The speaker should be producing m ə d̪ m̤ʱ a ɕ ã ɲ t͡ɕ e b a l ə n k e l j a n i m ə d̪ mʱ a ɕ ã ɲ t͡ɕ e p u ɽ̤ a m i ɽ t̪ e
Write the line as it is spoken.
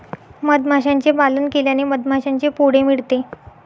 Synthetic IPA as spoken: m ə d̪ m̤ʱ a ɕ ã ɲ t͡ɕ e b a l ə n k e l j a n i m ə d̪ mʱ a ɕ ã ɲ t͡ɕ e p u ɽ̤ e m i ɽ t̪ e

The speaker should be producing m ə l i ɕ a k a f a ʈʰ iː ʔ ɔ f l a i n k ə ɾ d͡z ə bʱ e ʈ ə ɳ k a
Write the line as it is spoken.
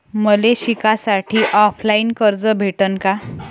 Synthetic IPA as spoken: m ə l e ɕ i k a s a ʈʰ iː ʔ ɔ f l a i n k ə ɾ d͡z ə bʱ e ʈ ə n k a

